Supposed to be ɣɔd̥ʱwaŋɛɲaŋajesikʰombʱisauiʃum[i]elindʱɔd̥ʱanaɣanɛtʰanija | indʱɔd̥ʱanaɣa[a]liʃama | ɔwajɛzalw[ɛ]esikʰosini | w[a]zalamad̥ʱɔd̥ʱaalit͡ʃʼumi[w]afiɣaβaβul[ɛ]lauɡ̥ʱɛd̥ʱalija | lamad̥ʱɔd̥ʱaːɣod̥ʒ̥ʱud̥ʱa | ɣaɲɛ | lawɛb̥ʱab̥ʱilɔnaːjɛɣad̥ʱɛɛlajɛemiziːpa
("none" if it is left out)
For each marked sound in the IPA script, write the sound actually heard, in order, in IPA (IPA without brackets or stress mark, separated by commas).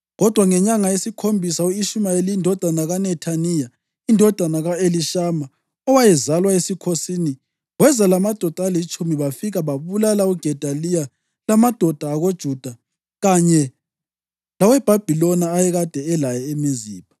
a, e, a, ɛ, β, a